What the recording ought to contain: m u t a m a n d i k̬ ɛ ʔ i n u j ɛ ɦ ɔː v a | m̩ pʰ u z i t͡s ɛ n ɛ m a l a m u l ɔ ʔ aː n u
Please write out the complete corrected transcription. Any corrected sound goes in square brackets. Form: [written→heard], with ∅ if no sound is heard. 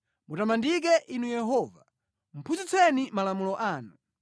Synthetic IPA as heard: m u t a m a n d i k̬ ɛ ʔ i n u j ɛ ɦ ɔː v a | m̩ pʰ u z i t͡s ɛ n [ɛ→i] m a l a m u l ɔ ʔ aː n u